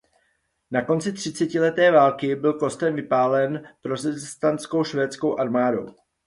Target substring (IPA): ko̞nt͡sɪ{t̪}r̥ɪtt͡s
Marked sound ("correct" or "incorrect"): correct